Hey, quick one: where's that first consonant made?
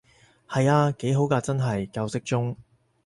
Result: throat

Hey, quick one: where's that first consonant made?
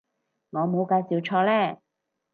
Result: velum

